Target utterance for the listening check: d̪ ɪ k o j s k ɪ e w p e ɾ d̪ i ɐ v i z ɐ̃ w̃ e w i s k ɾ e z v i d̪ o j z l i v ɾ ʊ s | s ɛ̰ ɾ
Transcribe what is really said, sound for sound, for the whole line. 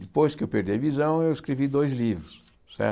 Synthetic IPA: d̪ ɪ p o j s k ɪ e w p e ɾ d̪ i ɐ v i z ɐ̃ w̃ e w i s k ɾ e v i d̪ o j z l i v ɾ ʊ s | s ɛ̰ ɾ